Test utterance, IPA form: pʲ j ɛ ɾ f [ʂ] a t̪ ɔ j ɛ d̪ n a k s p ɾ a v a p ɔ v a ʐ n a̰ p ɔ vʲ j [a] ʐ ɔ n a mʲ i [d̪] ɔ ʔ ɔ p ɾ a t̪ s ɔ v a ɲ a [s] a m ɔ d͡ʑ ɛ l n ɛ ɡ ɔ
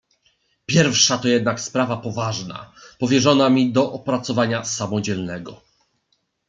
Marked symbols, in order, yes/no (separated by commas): yes, no, yes, yes